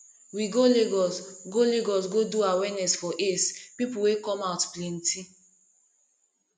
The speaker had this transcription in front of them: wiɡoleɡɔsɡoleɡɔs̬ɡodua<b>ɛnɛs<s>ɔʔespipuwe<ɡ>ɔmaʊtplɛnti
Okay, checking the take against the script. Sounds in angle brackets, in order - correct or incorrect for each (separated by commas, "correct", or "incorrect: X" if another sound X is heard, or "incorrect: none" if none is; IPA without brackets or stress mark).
incorrect: w, incorrect: f, incorrect: k